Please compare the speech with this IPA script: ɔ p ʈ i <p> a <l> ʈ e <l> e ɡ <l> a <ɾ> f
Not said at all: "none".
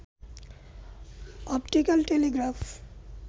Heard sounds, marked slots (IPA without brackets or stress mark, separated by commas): k, l, l, ɾ, none